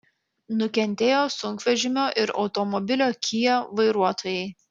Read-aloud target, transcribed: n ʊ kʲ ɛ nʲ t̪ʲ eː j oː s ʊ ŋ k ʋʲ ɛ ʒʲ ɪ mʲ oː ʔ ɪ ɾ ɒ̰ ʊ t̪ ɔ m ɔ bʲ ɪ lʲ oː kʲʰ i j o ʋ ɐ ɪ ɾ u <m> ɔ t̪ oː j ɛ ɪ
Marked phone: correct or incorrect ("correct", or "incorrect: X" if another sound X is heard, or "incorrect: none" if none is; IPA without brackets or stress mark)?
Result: incorrect: none